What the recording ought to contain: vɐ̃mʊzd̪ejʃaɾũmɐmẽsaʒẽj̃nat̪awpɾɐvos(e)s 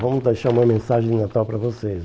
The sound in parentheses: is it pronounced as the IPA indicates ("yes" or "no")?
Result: yes